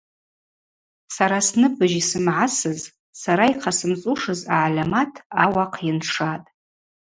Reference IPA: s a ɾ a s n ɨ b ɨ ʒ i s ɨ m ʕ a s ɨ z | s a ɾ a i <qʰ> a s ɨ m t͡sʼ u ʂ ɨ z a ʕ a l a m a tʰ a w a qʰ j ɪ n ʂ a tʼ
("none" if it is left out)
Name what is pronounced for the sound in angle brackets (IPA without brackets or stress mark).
qʰ